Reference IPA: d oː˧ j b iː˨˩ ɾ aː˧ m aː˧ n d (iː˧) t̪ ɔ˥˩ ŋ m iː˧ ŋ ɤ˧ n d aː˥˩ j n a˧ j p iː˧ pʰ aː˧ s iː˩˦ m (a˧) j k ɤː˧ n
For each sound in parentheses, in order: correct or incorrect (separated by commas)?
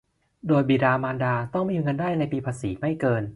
incorrect, incorrect